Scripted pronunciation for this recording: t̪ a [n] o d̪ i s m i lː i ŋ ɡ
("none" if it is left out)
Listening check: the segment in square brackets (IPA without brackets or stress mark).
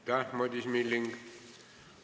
m